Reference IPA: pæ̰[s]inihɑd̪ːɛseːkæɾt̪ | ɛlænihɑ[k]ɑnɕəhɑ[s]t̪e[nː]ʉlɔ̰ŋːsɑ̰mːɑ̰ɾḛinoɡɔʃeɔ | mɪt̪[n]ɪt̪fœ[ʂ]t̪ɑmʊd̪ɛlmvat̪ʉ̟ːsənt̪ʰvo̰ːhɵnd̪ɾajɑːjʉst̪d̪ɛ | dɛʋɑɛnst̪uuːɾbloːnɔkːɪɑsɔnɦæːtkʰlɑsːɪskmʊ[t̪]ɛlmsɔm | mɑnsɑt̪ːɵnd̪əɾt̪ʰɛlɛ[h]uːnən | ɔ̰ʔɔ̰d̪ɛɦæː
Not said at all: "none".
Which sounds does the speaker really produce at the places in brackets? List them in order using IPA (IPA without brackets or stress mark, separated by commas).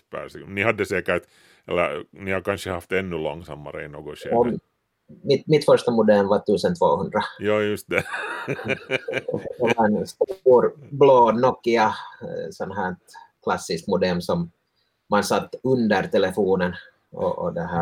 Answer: s, k, f, nː, m, ʂ, d̪, f